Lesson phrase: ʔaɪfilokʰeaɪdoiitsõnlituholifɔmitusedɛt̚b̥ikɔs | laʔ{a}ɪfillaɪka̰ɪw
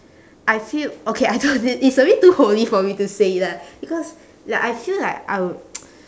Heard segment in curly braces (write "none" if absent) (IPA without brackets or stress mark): a